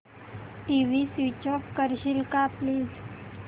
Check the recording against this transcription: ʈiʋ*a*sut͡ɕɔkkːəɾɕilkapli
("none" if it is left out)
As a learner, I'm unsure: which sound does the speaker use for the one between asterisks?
i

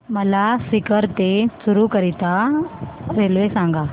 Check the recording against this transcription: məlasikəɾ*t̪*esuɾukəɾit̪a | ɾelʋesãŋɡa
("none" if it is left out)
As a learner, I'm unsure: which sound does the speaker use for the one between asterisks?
t̪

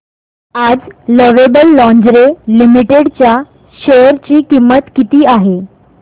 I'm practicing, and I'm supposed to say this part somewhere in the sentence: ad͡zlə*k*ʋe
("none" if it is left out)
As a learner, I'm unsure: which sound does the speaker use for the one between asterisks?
none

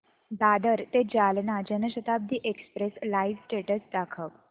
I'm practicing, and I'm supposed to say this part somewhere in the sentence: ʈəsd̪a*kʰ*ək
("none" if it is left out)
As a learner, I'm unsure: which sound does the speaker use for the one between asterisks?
kʰ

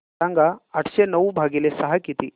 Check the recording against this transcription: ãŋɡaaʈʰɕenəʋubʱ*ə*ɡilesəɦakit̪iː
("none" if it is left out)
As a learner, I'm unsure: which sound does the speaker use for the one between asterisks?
a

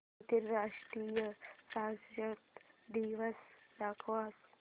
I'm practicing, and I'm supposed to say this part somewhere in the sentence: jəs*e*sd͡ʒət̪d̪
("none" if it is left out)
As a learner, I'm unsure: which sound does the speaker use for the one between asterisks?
a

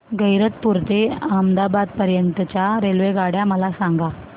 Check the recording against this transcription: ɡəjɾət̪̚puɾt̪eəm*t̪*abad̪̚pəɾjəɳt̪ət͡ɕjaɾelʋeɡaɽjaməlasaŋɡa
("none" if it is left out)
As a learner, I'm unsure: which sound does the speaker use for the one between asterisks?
d̪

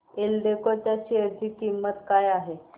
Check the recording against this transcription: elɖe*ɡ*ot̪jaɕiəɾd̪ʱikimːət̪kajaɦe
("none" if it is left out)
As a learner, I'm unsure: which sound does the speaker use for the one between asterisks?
k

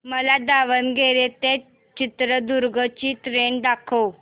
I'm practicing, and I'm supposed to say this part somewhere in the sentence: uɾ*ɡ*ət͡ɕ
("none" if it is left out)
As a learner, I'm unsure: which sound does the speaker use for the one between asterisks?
ɡ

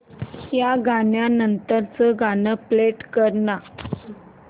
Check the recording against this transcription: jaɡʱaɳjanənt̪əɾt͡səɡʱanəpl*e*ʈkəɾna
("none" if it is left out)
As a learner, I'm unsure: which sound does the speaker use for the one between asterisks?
e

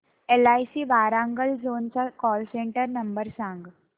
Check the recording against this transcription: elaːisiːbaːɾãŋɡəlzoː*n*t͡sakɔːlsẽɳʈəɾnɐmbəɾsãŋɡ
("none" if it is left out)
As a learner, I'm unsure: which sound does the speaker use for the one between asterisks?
n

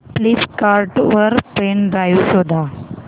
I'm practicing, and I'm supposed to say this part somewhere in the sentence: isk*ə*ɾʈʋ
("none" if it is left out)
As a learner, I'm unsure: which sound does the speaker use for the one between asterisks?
a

